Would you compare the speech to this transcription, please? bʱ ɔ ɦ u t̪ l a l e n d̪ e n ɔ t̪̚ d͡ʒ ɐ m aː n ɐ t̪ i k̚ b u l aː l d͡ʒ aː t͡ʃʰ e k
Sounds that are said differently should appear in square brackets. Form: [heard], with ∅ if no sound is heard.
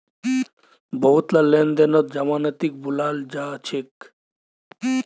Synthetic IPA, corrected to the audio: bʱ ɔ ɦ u t̪ l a l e n d̪ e n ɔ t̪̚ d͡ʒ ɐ m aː n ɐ t̪ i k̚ b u l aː l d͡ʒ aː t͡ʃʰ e k